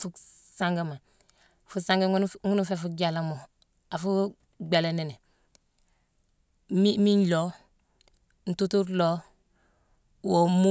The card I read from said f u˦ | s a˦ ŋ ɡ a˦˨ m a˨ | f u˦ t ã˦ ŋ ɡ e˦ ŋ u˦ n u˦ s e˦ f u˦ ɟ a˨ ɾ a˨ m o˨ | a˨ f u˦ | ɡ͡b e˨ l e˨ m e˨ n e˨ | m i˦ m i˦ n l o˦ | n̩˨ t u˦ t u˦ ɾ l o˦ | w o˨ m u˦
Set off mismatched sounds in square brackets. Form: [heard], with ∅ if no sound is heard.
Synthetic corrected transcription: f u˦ | s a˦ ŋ ɡ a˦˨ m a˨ | f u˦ [s] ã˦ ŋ ɡ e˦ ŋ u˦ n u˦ [f] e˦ f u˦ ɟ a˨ [l] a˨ m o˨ | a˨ f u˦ | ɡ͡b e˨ l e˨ [n] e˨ n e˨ | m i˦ m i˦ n l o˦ | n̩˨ t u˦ t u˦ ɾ l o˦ | w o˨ m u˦

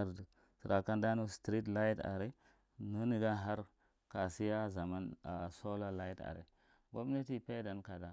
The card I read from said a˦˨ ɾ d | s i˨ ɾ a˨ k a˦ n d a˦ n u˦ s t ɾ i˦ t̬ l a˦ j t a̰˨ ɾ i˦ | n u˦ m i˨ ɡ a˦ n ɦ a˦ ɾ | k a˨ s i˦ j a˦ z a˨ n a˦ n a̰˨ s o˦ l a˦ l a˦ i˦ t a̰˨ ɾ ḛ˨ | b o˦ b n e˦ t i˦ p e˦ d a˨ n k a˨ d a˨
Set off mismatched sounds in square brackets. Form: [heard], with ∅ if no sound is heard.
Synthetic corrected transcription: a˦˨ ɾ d | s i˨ ɾ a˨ k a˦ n d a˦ n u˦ s t ɾ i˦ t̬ l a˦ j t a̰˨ ɾ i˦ | n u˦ [n] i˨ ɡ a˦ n ɦ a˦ ɾ | k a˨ s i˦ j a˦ z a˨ [m] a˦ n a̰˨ s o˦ l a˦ l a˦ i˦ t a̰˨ ɾ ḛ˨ | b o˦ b n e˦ t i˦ p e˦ d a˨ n k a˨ d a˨

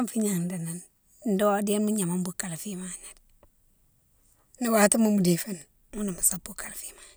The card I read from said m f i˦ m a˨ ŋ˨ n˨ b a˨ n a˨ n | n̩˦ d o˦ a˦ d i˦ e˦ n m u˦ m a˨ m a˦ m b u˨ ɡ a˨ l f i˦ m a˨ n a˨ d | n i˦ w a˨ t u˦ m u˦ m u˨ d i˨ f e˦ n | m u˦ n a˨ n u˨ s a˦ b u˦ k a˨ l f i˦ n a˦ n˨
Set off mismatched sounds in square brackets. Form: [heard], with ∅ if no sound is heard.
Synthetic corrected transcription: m f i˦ [ɲ] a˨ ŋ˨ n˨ [d] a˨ n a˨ n | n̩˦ d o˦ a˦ d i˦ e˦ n m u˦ [ɲ] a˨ m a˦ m b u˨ [k] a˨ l f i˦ m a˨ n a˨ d | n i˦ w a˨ t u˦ m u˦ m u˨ d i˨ f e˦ n | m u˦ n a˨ [m] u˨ s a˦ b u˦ k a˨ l f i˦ [m] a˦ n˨

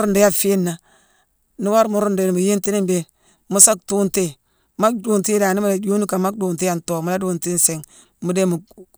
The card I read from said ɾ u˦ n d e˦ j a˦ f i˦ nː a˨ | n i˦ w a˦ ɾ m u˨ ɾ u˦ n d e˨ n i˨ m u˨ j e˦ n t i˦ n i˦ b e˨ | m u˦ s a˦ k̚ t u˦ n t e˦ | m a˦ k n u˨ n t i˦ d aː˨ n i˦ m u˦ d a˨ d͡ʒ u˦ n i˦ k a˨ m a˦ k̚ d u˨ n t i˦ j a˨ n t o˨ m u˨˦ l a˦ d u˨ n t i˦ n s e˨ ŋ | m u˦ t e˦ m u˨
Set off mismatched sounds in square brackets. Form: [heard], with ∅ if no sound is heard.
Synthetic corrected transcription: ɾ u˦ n d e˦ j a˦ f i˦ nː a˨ | n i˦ w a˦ ɾ m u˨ ɾ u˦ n d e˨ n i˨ m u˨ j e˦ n t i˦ n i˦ b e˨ | m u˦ s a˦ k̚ t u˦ n t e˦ | m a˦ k [d] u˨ n t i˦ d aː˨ n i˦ m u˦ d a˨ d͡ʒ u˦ n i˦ k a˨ m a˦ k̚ d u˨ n t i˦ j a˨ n t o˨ m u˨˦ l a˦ d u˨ n t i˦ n s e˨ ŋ | m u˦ [d] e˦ m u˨

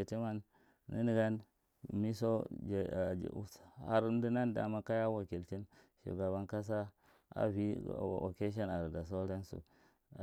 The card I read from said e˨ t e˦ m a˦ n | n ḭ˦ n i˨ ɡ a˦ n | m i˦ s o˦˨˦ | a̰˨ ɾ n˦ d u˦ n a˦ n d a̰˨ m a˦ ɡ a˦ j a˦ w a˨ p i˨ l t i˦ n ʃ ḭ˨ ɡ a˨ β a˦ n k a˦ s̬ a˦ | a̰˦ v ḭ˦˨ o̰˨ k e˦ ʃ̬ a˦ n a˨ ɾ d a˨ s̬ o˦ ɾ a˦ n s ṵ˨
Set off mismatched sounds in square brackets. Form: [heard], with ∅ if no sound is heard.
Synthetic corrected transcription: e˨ t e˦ m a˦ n | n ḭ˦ n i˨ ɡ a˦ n | m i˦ s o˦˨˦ | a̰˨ ɾ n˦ d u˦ n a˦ n d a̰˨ m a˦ [k] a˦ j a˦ w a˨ [k] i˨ l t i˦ n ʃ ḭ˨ ɡ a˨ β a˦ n k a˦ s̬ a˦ | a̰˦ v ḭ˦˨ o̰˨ k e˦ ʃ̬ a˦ n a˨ ɾ d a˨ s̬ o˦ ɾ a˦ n s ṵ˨

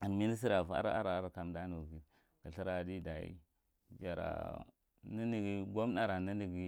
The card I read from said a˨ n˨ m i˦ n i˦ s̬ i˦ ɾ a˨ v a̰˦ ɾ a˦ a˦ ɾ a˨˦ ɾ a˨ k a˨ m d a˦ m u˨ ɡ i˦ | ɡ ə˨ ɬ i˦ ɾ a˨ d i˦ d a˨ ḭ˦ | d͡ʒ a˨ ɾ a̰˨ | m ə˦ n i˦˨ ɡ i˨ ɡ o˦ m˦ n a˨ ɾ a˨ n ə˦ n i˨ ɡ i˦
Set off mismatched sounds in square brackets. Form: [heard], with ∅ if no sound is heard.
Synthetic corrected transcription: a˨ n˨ m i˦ n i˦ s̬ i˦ ɾ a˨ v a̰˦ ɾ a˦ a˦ ɾ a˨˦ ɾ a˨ k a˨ m d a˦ [n] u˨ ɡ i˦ | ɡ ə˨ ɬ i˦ ɾ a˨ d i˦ d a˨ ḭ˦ | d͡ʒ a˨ ɾ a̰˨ | [n] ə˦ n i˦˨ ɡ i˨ ɡ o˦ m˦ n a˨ ɾ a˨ n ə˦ n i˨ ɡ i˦

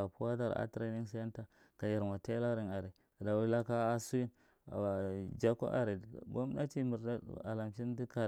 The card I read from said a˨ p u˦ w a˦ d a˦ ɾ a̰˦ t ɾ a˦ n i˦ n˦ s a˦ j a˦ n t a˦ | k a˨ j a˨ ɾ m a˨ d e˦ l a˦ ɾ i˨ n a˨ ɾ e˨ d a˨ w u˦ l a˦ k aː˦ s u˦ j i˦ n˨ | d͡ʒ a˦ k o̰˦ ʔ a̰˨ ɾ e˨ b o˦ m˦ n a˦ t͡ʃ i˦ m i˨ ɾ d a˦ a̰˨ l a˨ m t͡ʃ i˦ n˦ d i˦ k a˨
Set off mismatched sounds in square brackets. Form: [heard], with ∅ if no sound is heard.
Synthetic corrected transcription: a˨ p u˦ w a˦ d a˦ ɾ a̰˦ t ɾ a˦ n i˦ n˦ s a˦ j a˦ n t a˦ | k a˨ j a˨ ɾ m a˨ [t] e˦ l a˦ ɾ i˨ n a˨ ɾ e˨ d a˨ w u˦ l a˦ k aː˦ s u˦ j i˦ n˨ | d͡ʒ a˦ k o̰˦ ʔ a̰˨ ɾ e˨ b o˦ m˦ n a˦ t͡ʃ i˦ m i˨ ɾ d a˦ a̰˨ l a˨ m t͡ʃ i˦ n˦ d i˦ k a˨

